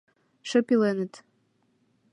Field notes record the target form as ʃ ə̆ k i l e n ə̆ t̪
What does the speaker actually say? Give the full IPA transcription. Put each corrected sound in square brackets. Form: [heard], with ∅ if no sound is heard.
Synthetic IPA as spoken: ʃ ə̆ [p] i l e n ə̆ t̪